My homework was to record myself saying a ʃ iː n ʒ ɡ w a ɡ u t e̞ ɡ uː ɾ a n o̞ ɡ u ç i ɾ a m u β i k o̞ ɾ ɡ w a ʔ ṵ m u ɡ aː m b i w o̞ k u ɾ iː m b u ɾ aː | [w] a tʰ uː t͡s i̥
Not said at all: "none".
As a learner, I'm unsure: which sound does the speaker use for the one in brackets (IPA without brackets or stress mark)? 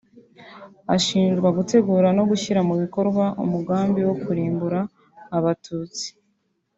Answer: β